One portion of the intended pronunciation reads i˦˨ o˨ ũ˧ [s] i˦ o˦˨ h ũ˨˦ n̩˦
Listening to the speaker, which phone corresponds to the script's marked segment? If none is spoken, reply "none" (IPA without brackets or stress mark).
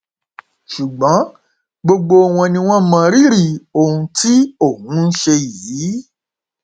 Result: t